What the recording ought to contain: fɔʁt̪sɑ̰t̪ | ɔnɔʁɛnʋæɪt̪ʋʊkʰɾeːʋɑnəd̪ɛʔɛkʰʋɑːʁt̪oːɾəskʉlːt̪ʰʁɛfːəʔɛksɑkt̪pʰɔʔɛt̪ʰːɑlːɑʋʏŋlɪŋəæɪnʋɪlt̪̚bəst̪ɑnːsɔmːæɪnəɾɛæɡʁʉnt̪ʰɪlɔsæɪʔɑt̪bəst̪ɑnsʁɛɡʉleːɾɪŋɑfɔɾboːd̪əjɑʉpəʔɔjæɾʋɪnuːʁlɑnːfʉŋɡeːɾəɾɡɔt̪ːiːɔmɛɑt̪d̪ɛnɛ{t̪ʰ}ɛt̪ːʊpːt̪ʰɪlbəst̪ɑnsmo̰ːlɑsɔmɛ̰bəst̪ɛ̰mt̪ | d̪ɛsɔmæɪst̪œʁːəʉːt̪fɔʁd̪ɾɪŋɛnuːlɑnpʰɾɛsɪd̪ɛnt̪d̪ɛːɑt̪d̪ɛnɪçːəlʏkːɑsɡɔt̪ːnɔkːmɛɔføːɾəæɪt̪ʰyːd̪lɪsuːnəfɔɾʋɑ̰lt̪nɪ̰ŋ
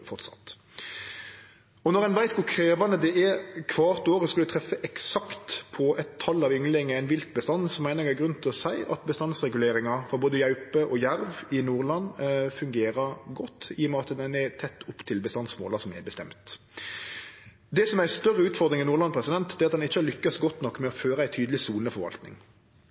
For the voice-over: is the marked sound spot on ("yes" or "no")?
yes